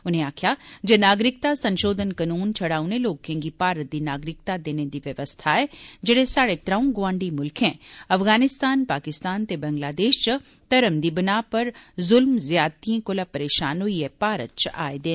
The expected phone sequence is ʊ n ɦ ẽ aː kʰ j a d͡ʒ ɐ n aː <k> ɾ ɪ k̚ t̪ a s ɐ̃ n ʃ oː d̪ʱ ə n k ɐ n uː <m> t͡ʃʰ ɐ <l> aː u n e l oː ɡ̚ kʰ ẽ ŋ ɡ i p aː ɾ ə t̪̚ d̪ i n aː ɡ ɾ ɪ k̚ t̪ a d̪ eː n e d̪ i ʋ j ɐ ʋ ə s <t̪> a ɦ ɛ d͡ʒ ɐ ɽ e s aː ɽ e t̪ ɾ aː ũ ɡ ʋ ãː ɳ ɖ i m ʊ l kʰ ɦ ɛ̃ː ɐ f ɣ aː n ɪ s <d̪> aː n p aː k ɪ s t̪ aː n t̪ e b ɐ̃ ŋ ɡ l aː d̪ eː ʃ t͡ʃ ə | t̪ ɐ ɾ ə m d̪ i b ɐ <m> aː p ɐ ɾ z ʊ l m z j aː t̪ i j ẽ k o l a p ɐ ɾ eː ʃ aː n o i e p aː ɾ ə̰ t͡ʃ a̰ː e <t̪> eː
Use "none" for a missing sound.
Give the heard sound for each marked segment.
ɡ, n, ɽ, t̪ʰ, t̪, n, d̪

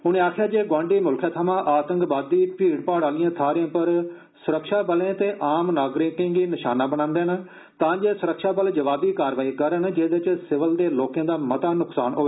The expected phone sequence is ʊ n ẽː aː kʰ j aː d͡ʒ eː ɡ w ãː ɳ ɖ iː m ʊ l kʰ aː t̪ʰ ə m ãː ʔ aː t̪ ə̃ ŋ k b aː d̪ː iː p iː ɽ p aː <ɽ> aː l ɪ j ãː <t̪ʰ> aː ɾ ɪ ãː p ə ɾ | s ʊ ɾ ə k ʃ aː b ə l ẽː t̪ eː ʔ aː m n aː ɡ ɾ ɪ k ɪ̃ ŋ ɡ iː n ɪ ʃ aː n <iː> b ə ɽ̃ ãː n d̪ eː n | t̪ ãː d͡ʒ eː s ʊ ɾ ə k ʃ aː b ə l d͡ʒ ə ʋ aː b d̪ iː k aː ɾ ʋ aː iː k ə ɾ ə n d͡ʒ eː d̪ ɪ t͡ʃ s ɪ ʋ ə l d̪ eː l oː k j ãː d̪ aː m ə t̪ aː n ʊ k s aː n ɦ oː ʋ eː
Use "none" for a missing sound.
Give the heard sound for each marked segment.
ɽ, t̪ʰ, aː

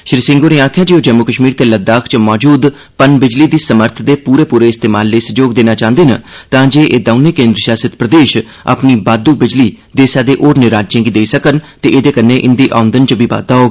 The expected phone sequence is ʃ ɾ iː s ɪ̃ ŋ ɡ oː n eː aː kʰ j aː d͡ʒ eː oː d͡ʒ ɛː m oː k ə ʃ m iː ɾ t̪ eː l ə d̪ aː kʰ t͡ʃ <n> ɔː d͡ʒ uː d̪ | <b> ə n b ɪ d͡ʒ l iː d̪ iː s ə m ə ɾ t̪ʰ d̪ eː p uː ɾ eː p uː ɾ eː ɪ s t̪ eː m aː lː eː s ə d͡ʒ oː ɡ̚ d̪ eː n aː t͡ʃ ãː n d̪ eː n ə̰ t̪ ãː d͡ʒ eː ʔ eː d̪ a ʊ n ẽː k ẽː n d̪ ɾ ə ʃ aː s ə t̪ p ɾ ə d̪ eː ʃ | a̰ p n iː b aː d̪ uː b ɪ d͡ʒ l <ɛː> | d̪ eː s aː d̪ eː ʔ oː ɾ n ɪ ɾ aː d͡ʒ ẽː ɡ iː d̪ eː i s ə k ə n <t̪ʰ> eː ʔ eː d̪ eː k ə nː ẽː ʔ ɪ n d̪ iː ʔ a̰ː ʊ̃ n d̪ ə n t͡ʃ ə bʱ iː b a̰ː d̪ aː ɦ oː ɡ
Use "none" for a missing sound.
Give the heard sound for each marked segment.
m, p, iː, t̪

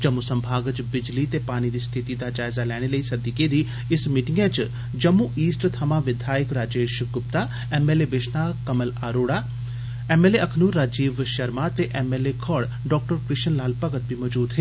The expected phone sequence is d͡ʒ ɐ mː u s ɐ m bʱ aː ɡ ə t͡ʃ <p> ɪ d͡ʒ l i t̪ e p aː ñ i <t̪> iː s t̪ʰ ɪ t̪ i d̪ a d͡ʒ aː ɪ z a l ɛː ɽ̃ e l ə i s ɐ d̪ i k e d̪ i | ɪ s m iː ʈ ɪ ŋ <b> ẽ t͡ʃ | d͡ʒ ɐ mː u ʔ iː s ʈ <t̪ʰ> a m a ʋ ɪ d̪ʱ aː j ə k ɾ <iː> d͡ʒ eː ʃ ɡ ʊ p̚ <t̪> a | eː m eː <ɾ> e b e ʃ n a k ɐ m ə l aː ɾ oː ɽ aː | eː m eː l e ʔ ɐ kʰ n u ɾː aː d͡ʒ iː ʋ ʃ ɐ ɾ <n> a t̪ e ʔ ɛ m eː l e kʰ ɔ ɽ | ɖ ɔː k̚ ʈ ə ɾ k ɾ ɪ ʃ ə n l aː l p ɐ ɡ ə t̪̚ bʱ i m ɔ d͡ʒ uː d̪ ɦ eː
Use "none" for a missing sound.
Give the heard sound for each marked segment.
b, d̪, ɡ, t̪ʰ, aː, t̪, l, m

